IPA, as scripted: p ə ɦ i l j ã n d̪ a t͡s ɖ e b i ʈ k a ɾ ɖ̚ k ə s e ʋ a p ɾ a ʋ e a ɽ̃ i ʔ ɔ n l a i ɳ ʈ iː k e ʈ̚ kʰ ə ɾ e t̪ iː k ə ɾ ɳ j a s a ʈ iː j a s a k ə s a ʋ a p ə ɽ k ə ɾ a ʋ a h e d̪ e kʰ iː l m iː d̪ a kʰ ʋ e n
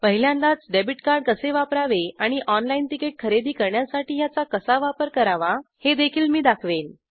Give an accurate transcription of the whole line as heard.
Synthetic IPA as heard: p ə ɦ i l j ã n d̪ a t͡s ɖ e b i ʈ k a ɾ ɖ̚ k ə s e ʋ a p ɾ a ʋ e a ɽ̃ i ʔ ɔ n l a i n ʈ i k e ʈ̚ kʰ ə ɾ e d̪ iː k ə ɾ ɳ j a s a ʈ iː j a t͡s a k ə s a ʋ a p ə ɾ k ə ɾ a ʋ a h e d̪ e kʰ iː l m iː d̪ a kʰ ʋ e n